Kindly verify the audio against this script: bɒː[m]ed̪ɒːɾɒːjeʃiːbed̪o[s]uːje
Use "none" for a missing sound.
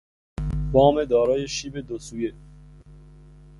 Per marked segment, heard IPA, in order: m, s

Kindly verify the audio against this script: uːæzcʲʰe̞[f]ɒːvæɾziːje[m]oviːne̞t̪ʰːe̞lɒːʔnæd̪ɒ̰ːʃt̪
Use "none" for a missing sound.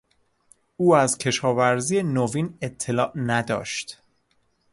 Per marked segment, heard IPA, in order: ʃ, n

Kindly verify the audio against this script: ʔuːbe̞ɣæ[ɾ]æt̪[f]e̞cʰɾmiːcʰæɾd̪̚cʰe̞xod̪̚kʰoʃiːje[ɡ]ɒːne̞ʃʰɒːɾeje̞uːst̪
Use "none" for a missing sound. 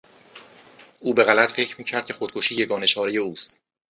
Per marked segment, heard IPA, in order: l, f, ɡ

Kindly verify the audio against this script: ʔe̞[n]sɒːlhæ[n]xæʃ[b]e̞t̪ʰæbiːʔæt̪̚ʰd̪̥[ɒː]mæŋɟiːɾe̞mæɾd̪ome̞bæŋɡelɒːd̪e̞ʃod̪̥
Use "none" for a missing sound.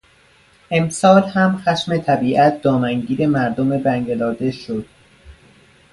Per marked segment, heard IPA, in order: m, m, m, ɒː

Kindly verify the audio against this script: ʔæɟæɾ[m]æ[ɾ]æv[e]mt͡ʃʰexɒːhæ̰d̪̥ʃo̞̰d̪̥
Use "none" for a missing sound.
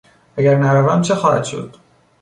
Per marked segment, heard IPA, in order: n, ɾ, æ

